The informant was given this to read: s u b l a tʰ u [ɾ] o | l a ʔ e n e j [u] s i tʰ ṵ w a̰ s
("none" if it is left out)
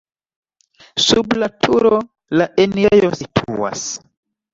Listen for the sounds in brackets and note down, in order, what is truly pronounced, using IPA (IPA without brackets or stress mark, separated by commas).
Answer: ɾ, o